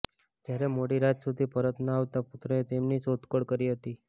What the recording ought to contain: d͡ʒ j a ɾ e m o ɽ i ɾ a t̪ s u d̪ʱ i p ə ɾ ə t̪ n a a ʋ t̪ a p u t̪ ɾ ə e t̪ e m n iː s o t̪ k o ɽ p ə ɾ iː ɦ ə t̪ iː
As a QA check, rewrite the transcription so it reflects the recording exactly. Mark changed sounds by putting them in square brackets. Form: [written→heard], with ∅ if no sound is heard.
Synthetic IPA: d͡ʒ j a ɾ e m o ɽ i ɾ a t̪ s u d̪ʱ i p ə ɾ ə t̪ n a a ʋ t̪ a p u t̪ ɾ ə e t̪ e m n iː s o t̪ k o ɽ [p→k] ə ɾ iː ɦ ə t̪ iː